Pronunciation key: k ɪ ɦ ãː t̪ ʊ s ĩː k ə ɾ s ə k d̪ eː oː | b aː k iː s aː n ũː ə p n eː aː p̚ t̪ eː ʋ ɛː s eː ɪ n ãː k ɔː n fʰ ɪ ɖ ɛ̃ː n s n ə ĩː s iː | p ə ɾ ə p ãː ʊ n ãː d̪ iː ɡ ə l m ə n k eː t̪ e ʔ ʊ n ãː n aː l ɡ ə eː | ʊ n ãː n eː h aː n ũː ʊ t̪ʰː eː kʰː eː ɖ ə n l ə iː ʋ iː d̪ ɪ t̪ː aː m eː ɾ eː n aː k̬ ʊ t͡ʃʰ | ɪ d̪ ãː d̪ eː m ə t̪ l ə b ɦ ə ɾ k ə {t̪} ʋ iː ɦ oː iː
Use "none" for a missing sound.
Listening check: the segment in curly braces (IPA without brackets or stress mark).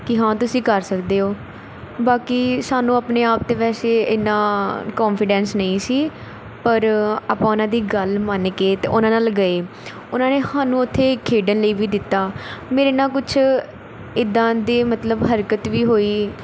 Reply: t̪